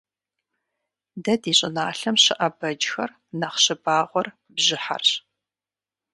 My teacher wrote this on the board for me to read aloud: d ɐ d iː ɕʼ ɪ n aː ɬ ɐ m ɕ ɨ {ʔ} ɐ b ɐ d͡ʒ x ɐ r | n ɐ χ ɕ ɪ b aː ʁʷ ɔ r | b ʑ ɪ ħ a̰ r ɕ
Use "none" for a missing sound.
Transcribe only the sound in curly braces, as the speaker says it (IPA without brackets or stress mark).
ʔ